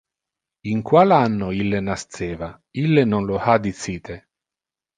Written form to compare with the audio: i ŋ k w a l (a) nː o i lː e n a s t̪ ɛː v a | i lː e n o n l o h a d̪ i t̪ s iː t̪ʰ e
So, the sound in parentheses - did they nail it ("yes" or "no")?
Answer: yes